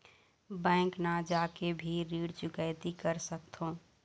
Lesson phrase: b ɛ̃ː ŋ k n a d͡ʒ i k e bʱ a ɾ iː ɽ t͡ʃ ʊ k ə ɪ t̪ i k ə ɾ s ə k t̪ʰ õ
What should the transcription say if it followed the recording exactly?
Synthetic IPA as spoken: b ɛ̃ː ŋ k n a d͡ʒ a k e bʱ i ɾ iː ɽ t͡ʃ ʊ k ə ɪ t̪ i k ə ɾ s ə k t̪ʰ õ